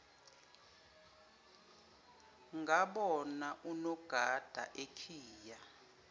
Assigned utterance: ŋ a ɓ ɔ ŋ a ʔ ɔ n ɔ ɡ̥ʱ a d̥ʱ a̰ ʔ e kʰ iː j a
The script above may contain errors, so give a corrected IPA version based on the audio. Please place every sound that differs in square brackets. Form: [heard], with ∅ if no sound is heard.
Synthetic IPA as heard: ŋ a ɓ ɔ [n] a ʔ [u] n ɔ ɡ̥ʱ a d̥ʱ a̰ ʔ e kʰ iː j a